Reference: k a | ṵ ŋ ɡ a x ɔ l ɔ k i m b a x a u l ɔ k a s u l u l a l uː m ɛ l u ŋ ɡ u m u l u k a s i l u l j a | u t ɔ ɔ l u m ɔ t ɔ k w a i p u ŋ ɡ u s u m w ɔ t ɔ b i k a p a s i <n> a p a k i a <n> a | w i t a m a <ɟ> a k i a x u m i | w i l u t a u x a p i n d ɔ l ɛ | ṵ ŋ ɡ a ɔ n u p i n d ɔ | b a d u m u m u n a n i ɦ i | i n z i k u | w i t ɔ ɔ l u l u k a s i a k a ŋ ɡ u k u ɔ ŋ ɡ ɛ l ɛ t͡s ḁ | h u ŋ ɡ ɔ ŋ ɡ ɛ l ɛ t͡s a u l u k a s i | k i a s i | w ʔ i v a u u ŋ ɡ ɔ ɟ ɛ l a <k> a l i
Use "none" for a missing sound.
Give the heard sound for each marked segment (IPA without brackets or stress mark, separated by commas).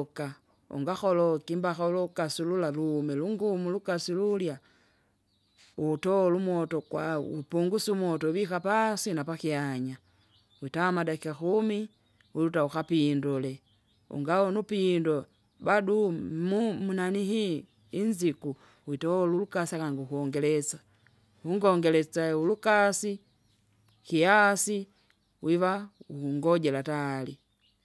n, ɲ, d, t